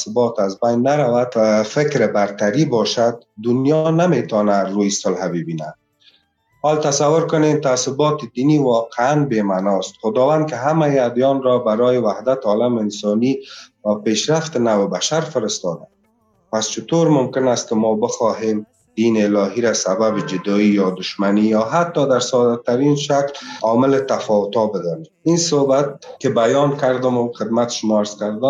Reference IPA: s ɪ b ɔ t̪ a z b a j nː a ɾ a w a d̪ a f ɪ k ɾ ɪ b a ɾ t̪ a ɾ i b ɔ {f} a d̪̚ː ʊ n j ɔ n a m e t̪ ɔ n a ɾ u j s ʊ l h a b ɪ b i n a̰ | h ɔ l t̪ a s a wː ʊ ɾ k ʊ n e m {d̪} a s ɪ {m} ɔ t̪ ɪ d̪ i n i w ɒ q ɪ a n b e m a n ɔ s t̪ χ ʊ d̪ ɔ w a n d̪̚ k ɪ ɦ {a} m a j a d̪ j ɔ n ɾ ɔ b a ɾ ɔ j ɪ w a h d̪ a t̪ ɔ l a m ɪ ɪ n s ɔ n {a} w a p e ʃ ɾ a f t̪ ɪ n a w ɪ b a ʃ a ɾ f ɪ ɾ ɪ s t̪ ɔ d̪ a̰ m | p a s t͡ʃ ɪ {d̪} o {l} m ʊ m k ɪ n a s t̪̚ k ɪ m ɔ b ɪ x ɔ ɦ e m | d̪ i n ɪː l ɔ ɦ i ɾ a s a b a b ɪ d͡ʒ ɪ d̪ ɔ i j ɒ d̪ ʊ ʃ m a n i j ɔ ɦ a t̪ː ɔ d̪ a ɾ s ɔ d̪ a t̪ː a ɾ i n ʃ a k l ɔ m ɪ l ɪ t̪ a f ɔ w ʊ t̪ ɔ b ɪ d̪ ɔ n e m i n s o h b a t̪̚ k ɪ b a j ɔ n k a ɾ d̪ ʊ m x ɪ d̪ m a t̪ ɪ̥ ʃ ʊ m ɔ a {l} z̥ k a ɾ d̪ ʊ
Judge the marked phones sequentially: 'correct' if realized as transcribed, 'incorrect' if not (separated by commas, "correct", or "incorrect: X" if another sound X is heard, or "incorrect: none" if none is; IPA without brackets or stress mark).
incorrect: ʃ, incorrect: t̪, incorrect: b, correct, incorrect: i, incorrect: t̪, incorrect: ɾ, incorrect: ɾ